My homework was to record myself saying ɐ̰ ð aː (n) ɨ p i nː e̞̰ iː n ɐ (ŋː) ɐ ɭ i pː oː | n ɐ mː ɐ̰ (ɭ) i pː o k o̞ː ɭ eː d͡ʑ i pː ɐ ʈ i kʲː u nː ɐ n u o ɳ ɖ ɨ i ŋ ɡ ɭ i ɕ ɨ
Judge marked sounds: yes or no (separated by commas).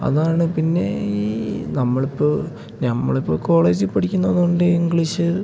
no, no, yes